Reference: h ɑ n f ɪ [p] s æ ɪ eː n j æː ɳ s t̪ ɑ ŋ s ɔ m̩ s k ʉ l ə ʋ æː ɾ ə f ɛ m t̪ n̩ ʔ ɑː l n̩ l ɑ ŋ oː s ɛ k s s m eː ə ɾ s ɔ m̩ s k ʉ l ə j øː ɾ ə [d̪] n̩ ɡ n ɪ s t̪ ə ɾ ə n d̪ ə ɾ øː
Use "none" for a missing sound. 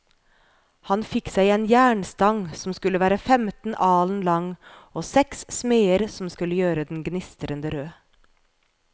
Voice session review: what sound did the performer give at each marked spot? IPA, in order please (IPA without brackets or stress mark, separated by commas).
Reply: k, d̪